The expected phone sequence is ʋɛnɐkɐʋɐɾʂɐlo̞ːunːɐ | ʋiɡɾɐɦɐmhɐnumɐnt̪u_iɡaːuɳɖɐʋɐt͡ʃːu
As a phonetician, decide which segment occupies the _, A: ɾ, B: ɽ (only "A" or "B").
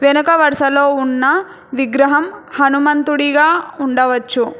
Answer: B